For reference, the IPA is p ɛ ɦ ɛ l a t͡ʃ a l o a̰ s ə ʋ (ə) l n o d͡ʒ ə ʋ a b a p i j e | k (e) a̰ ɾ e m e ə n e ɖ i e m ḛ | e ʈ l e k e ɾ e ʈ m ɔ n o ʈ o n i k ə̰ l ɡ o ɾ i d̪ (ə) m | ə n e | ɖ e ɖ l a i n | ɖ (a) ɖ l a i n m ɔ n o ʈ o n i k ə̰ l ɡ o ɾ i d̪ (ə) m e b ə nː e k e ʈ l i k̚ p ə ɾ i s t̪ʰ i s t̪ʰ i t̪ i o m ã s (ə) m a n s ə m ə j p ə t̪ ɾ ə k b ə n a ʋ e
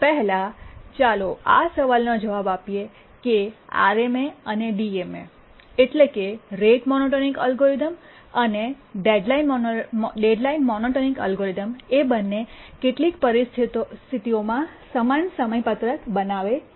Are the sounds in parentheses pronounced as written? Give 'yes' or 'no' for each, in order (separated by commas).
no, yes, yes, no, yes, yes